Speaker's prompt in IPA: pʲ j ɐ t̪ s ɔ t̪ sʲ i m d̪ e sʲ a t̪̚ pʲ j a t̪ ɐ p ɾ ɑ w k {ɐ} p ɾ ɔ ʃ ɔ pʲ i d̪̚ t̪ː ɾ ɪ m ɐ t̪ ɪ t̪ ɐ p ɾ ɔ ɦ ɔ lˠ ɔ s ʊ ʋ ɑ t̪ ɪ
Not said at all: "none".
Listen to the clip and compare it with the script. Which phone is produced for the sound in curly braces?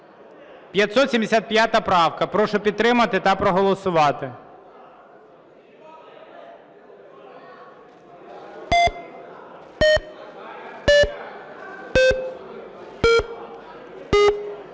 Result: ɐ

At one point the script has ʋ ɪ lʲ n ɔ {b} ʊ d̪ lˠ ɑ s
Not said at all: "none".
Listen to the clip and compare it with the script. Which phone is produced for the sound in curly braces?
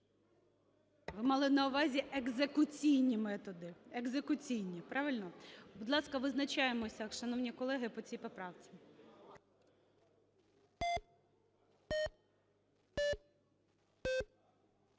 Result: b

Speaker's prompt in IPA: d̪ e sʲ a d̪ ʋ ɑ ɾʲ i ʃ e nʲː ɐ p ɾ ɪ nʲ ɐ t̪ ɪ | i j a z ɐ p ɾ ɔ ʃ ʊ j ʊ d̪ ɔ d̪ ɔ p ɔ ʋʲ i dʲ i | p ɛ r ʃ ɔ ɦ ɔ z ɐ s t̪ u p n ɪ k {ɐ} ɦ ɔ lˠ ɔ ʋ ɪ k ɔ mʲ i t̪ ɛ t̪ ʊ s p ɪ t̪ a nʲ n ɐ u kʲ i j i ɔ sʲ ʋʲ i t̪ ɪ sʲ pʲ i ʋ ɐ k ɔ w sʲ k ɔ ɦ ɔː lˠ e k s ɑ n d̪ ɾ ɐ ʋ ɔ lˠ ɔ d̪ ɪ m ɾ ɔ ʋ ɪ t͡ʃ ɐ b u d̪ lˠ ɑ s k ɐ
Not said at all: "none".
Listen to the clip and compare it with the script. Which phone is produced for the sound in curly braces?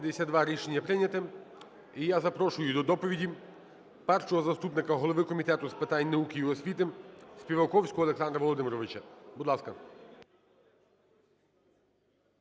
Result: ɐ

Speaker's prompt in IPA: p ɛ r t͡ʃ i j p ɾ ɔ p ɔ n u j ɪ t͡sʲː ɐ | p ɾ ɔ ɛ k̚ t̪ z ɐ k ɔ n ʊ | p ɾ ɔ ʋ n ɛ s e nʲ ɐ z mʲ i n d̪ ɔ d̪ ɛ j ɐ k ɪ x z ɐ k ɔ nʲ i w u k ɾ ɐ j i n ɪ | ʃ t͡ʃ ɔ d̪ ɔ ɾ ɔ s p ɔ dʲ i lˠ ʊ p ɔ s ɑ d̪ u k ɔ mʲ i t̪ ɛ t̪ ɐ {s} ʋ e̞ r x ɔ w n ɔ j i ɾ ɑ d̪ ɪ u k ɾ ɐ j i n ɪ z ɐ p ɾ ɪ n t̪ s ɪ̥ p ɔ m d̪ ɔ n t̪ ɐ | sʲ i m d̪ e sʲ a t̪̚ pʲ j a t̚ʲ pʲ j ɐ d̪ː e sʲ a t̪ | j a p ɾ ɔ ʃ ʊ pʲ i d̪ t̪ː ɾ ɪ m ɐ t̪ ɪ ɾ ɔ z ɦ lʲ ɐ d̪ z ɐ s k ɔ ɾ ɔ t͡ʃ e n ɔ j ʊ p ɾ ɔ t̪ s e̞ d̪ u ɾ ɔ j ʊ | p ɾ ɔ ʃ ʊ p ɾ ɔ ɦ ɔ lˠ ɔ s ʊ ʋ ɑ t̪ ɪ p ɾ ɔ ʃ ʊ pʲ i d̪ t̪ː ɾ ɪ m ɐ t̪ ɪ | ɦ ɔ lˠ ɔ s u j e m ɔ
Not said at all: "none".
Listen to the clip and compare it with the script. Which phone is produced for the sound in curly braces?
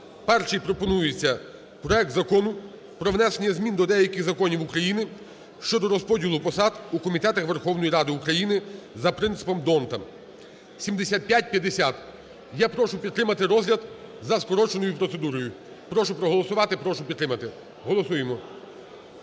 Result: x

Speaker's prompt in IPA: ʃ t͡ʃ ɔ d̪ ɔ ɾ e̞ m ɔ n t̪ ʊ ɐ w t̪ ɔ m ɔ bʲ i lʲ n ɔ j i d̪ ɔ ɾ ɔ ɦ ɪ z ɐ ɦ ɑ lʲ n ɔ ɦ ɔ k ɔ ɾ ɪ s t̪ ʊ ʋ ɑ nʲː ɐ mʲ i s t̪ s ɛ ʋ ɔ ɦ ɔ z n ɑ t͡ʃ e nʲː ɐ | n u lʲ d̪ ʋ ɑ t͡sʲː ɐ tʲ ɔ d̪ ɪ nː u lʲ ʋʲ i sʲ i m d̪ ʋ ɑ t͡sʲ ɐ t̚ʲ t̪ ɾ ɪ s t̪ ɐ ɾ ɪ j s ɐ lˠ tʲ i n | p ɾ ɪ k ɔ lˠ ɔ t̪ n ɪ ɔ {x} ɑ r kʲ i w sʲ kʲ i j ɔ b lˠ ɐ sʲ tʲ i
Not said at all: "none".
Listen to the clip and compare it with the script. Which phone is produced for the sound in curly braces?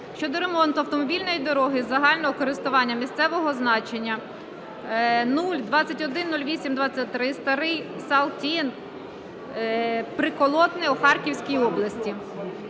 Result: x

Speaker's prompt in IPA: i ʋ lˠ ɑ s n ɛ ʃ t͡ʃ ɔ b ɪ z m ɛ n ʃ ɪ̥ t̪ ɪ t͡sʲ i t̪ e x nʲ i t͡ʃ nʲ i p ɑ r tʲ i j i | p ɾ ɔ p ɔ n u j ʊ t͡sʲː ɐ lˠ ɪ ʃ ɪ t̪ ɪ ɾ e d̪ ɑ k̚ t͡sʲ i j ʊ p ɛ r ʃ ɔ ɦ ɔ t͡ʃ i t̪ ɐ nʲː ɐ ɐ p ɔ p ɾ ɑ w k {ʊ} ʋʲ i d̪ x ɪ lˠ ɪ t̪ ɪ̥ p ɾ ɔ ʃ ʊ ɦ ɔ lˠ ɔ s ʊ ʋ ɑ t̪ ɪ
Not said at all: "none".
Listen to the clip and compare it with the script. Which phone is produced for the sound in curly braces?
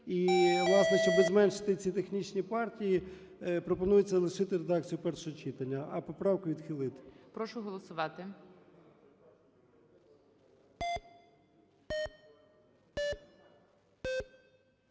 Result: ʊ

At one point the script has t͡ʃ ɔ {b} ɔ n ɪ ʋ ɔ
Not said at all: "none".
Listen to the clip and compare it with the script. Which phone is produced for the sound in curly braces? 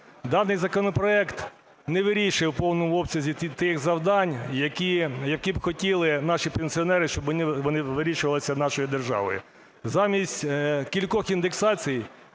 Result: b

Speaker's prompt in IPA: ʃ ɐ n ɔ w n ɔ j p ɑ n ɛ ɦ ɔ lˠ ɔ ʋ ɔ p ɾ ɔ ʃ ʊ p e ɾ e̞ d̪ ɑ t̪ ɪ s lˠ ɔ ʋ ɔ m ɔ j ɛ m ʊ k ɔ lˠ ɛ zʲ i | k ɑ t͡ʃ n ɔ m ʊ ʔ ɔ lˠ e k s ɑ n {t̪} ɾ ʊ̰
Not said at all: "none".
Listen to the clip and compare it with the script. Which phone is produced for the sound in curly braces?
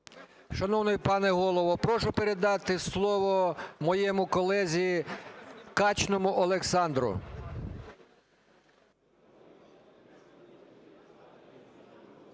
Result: d̪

